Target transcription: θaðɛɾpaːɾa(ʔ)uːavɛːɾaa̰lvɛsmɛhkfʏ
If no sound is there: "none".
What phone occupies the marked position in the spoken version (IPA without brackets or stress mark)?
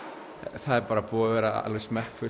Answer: p